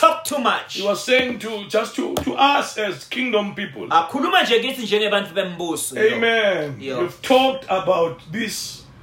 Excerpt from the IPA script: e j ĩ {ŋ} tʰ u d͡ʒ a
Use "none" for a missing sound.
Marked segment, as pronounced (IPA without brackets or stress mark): ŋ